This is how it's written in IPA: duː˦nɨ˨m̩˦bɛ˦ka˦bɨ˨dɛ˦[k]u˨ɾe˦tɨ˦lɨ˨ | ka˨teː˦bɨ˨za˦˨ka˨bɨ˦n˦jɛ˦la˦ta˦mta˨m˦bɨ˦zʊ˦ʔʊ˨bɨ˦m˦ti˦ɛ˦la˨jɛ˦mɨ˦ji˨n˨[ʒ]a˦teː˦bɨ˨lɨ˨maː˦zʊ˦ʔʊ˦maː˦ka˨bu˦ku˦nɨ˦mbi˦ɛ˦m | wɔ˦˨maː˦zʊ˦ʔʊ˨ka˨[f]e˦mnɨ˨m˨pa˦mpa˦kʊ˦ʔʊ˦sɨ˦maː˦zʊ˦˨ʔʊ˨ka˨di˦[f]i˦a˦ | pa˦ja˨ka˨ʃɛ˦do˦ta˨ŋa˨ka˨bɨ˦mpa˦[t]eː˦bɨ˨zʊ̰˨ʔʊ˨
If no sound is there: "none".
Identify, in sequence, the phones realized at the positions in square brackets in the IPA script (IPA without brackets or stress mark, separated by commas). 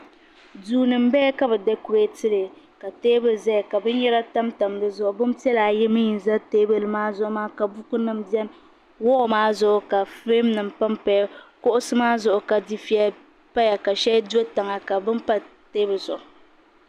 k, z, f, f, t